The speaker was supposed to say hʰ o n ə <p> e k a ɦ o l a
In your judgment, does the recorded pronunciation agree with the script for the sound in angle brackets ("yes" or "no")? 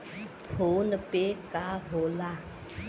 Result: yes